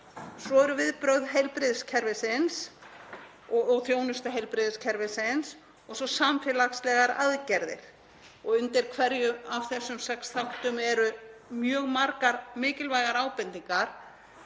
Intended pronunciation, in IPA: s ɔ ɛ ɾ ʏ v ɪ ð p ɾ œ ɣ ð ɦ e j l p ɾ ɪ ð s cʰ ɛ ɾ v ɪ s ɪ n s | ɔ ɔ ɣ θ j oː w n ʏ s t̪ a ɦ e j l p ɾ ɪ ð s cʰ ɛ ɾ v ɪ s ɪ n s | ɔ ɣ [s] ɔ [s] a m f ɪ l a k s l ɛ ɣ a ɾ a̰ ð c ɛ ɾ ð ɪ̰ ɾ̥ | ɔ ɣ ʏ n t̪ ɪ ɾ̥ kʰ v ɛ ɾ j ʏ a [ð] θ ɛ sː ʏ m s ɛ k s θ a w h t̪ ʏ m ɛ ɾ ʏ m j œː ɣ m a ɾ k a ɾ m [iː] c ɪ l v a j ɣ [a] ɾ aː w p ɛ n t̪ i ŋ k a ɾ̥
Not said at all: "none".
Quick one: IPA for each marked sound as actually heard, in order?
s, s, v, ɪː, a

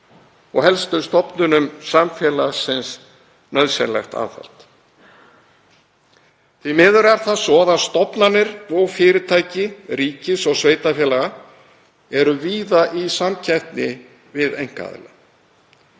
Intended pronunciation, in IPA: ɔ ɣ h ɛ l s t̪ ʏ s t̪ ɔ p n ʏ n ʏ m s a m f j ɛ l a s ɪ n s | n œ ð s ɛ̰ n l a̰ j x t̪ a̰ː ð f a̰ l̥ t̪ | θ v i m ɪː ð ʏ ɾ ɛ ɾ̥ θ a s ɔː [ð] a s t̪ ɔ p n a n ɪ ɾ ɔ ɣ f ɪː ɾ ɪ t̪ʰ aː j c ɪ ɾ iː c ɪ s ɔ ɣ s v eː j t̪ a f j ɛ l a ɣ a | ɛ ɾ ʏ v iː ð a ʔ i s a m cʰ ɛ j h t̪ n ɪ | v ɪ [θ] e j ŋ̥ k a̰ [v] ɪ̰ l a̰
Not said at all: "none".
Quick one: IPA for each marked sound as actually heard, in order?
ð, ð, ð

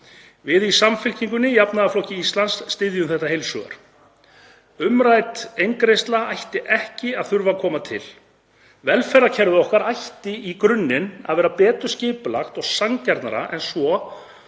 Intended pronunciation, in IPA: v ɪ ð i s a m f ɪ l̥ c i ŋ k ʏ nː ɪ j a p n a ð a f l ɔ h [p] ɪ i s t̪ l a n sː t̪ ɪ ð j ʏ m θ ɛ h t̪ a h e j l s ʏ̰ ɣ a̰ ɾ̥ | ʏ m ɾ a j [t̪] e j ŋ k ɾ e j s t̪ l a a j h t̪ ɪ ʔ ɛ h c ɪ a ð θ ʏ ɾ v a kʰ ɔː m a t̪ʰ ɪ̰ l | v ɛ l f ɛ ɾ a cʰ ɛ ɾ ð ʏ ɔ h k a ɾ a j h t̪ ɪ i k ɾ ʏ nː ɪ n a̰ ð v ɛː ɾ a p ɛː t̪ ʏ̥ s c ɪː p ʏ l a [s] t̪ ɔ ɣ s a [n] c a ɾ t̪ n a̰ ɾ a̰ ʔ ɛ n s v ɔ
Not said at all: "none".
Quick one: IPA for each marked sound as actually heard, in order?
c, t̪, x, ŋ

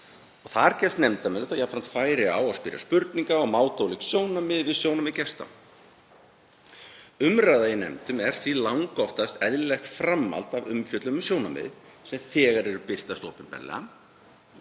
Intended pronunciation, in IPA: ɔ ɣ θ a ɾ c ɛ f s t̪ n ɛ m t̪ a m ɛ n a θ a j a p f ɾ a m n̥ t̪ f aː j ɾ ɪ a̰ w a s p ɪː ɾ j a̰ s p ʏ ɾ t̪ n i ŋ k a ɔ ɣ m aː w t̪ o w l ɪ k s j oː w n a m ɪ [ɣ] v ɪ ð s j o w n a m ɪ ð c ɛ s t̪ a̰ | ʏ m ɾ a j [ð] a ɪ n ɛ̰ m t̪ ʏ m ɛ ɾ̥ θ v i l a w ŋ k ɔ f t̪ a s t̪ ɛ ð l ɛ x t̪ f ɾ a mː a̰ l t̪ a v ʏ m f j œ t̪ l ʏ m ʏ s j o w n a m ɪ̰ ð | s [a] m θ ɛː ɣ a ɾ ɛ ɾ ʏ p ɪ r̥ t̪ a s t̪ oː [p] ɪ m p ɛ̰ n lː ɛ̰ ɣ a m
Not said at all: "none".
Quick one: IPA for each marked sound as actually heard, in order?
ð, ð, ɛ, p

